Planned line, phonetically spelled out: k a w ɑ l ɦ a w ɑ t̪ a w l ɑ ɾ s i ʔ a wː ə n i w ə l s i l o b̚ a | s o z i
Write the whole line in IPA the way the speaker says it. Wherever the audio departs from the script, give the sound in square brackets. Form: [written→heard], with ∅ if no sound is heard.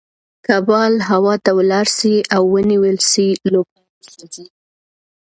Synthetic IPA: k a [w→b] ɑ l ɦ a w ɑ t̪ a w l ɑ ɾ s i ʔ a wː ə n i w ə l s i l o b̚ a | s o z i